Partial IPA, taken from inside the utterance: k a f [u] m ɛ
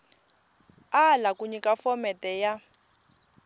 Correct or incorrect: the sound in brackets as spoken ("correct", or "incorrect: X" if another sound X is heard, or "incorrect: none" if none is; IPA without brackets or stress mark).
incorrect: ɔ